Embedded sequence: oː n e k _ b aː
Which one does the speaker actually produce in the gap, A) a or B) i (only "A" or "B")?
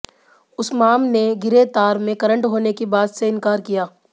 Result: B